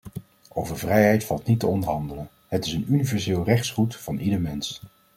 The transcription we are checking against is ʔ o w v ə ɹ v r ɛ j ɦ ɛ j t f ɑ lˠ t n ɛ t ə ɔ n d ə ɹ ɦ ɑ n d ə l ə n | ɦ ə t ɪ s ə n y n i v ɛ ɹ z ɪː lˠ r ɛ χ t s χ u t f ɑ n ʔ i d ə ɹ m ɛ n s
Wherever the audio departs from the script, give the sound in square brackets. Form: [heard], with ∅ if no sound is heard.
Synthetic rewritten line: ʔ o w v ə ɹ v r ɛ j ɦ ɛ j t f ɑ lˠ t n [i] t ə ɔ n d ə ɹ ɦ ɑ n d ə l ə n | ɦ ə t ɪ s ə n y n i v ɛ ɹ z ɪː lˠ r ɛ χ t s χ u t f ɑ n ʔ i d ə ɹ m ɛ n s